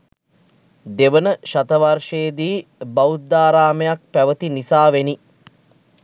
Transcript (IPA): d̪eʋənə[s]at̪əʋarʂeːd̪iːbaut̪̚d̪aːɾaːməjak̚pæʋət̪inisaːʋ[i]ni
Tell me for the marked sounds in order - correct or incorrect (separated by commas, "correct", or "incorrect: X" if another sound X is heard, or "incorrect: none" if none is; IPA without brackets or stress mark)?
incorrect: ʃ, incorrect: e